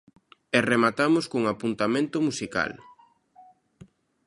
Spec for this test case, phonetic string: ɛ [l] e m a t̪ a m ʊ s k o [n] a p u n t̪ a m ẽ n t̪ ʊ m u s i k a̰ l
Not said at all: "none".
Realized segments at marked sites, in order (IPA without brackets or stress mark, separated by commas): r, ŋ